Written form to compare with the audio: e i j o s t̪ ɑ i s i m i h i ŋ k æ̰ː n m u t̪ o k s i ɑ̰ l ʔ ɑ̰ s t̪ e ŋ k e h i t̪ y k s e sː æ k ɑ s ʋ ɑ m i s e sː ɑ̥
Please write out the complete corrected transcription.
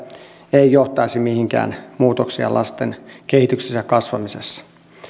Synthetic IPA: e i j o h t̪ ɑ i s i m i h i ŋ k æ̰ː n m uː t̪ o k s i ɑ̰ l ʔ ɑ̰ s t̪ e n k e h i t̪ y k s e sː æ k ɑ s ʋ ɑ m i s e sː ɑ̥